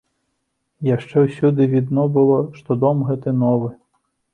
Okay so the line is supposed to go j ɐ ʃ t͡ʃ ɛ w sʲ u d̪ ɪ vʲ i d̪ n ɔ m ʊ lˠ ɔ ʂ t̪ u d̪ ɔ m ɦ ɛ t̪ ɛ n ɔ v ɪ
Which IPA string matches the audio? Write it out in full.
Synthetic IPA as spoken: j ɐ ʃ t͡ʃ ɛ w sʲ u d̪ ɪ ʋʲ i d̪ n ɔ b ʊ lˠ ɔ ʃ t̪ ɔ d̪ ɔ m ɦ ɛ t̪ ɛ n ɔ ʋ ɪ